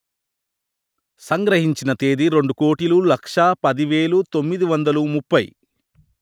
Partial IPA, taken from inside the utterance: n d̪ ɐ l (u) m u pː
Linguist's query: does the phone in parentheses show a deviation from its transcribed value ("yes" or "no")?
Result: no